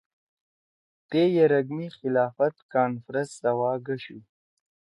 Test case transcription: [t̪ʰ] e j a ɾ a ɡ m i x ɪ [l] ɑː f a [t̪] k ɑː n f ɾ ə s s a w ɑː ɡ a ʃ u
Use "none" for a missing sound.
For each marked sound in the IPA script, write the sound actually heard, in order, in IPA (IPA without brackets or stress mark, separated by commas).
t̪, l, t̪